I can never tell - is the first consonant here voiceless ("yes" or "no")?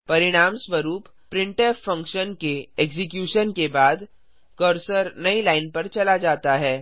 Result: yes